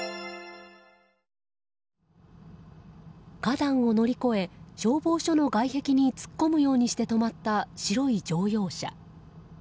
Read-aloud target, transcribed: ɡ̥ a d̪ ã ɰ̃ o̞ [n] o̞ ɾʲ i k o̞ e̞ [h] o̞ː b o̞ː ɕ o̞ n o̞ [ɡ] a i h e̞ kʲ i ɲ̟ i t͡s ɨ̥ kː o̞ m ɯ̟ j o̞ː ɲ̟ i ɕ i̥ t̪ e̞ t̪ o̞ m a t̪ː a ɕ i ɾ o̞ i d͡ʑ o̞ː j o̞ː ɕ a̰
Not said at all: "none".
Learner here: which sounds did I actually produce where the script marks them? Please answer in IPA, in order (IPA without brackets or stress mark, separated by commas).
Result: n, ɕ, ɡ